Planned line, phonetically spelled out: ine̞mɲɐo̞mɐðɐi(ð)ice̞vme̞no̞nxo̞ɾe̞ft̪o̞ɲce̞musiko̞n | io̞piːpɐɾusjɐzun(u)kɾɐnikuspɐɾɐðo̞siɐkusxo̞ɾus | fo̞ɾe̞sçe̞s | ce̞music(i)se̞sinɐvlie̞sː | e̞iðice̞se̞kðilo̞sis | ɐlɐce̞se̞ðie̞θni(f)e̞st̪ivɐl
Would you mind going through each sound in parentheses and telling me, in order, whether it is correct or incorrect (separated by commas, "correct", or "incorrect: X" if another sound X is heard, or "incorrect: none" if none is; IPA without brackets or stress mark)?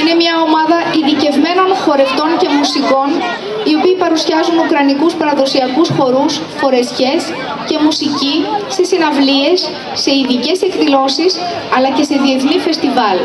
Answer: correct, correct, correct, correct